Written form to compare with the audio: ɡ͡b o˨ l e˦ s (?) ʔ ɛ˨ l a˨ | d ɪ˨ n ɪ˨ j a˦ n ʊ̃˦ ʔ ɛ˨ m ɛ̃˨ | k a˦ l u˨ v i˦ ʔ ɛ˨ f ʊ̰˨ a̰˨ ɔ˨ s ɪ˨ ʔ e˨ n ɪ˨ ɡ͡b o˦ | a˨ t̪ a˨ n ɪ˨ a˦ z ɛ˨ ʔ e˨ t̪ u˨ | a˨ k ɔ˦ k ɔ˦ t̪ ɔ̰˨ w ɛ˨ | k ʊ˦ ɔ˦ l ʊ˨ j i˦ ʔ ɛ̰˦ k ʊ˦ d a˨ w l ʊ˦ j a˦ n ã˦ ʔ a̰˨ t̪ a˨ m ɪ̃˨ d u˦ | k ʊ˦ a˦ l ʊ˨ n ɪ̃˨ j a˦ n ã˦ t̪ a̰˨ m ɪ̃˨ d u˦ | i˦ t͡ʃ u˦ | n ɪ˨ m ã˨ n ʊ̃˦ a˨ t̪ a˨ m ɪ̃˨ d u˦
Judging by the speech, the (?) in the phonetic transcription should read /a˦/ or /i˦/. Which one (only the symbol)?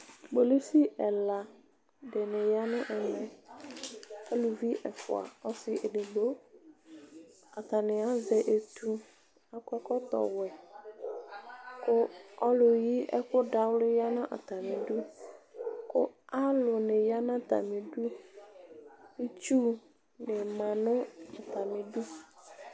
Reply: i˦